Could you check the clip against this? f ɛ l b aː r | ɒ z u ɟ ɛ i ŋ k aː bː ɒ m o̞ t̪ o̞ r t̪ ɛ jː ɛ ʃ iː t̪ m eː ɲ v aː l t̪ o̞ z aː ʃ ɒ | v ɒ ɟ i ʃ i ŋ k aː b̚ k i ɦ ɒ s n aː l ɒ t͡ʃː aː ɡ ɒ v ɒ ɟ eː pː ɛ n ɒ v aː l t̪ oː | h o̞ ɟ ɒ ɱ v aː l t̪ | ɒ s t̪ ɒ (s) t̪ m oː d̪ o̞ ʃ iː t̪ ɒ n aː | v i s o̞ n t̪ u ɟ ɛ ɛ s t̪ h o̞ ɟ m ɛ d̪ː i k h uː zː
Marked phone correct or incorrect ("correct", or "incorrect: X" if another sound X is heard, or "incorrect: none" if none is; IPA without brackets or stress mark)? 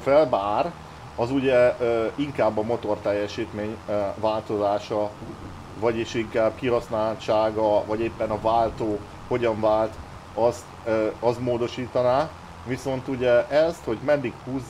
correct